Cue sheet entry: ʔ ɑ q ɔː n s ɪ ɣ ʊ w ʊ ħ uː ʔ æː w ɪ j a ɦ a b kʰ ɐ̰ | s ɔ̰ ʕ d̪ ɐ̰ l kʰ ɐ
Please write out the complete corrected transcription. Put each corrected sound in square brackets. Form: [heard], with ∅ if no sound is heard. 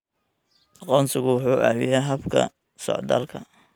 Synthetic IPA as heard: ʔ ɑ q ɔː n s ɪ ɣ ʊ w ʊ ħ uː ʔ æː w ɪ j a ɦ [ɐ] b kʰ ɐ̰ | s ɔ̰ ʕ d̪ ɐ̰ l kʰ ɐ